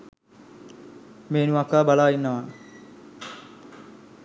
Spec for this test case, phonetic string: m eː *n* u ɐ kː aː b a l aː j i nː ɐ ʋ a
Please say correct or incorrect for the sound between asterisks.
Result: correct